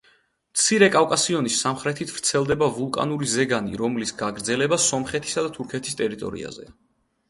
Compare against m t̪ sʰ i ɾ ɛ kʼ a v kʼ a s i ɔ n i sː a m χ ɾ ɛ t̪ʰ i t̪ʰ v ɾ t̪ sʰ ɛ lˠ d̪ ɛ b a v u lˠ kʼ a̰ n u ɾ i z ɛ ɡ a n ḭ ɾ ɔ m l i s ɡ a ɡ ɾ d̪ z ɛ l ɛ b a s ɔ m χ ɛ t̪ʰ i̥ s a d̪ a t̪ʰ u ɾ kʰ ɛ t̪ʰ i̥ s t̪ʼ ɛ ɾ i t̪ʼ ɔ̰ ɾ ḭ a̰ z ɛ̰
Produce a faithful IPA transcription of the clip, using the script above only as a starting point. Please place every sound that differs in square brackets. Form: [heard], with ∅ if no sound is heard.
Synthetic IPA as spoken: m t̪ sʰ i ɾ ɛ kʼ a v kʼ a s i ɔ n i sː a m χ ɾ ɛ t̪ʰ i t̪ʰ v ɾ t̪ sʰ ɛ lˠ d̪ ɛ b a v u lˠ kʼ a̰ n u ɾ i z ɛ ɡ a n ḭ ɾ ɔ m l i s ɡ a ɡ ɾ d̪ z ɛ l ɛ b a s ɔ m χ ɛ t̪ʰ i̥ s a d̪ a t̪ʰ u ɾ kʰ ɛ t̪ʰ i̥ s t̪ʼ ɛ ɾ i t̪ʼ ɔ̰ ɾ ḭ a̰ z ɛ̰

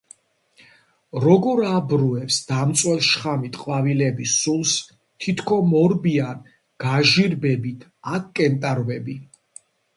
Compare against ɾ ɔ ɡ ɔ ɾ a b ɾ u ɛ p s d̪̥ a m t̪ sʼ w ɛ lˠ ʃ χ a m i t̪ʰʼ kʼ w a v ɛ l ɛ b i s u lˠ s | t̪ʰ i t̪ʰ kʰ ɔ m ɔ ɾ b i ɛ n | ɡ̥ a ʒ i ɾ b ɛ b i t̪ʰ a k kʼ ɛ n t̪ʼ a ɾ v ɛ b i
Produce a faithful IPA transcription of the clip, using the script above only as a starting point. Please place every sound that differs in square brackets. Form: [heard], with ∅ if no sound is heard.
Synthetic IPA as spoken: ɾ ɔ ɡ ɔ ɾ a b ɾ u ɛ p s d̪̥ a m t̪ sʼ w ɛ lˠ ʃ χ a m i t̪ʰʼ [qʼ] w a v [i] l ɛ b i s u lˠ s | t̪ʰ i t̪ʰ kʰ ɔ m ɔ ɾ b i [a] n | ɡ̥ a ʒ i ɾ b ɛ b i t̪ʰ a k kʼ ɛ n t̪ʼ a ɾ v ɛ b i

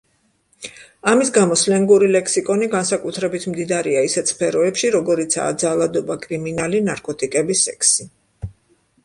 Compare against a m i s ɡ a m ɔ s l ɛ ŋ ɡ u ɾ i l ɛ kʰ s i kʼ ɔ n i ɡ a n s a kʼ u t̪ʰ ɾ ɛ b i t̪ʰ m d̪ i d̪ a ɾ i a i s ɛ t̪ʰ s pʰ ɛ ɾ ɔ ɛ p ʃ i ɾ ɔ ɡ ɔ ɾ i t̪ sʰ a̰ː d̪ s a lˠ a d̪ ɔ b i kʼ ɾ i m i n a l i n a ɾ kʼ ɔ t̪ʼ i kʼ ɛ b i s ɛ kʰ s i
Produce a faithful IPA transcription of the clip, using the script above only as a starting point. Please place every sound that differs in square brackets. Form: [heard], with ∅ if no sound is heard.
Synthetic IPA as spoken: a m i s ɡ a m ɔ s l ɛ ŋ ɡ u ɾ i l ɛ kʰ s i kʼ ɔ n i ɡ a n s a kʼ u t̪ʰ ɾ ɛ b i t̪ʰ m d̪ i d̪ a ɾ i a i s ɛ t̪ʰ s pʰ ɛ ɾ ɔ ɛ p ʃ i ɾ ɔ ɡ ɔ ɾ i t̪ sʰ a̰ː d̪ [z] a lˠ a d̪ ɔ b [a] kʼ ɾ i m i n a l i n a ɾ kʼ ɔ t̪ʼ i kʼ ɛ b i s ɛ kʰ s i

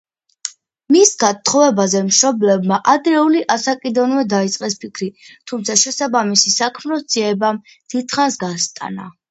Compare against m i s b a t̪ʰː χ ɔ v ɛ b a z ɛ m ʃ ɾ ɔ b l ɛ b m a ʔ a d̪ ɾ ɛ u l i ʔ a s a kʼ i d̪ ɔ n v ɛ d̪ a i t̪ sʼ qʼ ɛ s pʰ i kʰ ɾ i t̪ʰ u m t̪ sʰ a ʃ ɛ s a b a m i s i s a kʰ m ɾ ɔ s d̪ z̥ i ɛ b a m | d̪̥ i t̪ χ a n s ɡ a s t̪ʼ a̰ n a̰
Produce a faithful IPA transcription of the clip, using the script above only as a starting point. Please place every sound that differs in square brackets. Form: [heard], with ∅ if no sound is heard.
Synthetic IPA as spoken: m i s [ɡ] a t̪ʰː χ ɔ v ɛ b a z ɛ m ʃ ɾ ɔ b l ɛ b m a ʔ a d̪ ɾ ɛ u l i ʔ a s a kʼ i d̪ ɔ n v ɛ d̪ a i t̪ sʼ qʼ ɛ s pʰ i kʰ ɾ i t̪ʰ u m t̪ sʰ a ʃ ɛ s a b a m i s i s a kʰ m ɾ ɔ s d̪ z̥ i ɛ b a m | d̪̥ i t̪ χ a n s ɡ a s t̪ʼ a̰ n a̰

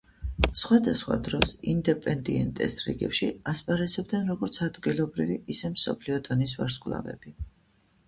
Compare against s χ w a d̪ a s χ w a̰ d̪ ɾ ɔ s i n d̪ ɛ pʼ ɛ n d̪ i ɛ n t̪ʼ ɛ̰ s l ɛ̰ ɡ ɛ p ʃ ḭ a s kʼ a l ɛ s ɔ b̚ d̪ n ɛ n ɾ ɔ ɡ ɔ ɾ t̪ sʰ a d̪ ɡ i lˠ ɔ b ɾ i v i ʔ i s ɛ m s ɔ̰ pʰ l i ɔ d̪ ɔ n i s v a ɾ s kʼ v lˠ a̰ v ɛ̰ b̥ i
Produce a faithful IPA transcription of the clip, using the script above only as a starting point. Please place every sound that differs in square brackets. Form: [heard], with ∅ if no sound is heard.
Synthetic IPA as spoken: s χ w a d̪ a s χ w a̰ d̪ ɾ ɔ s i n d̪ ɛ pʼ ɛ n d̪ i ɛ n t̪ʼ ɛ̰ s [ɾ] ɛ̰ ɡ ɛ p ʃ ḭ a s [pʼ] a [ɾ] ɛ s ɔ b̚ d̪ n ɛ n ɾ ɔ ɡ ɔ ɾ t̪ sʰ a d̪ ɡ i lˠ ɔ b ɾ i v i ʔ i s ɛ m s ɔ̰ pʰ l i ɔ d̪ ɔ n i s v a ɾ s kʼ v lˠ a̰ v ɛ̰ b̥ i

